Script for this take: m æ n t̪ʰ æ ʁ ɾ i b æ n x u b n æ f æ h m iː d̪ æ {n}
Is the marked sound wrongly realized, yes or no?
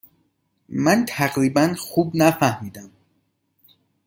yes